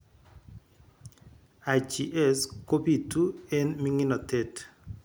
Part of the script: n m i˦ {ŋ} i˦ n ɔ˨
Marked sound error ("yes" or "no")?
no